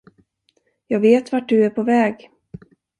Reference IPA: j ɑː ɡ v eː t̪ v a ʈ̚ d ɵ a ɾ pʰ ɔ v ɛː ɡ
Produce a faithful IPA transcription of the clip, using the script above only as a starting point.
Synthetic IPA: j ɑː ɡ v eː t̪ v a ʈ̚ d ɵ æ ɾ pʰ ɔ v ɛː ɡ